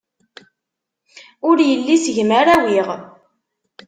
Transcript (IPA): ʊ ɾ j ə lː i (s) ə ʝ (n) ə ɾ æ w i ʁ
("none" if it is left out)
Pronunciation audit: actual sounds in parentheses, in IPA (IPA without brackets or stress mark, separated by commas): s, m